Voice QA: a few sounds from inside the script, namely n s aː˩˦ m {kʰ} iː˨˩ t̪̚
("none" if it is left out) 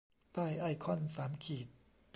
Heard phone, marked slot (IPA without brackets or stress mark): kʰ